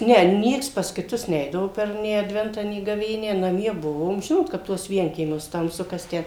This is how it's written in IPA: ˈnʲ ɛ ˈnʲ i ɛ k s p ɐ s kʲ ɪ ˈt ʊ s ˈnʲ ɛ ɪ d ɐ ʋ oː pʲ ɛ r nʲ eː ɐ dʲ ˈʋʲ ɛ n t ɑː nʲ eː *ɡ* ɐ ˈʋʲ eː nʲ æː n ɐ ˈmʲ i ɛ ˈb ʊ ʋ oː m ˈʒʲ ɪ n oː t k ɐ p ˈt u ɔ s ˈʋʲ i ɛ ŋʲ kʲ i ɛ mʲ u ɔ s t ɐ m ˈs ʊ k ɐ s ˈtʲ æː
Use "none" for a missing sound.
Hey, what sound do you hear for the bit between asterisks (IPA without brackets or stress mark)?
ɡ